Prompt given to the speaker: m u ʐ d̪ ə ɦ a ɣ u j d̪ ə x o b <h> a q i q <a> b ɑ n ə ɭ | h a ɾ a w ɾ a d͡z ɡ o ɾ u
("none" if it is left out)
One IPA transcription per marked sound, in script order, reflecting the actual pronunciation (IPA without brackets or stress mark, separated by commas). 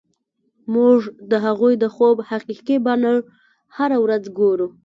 h, i